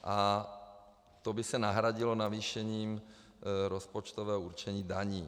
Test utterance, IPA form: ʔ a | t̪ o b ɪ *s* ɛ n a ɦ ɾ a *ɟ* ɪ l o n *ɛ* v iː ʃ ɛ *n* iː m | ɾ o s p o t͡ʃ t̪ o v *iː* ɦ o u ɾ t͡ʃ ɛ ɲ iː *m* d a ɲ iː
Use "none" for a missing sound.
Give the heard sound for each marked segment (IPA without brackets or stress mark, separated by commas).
s, ɟ, a, ɲ, ɛː, none